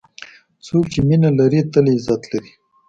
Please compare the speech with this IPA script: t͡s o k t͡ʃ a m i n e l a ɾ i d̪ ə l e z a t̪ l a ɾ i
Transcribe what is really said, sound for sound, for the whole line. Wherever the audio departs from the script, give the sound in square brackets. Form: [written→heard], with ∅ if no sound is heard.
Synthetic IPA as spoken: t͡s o k t͡ʃ [a→e] m i n [e→a] l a ɾ i [d̪→t̪] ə l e z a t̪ l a ɾ i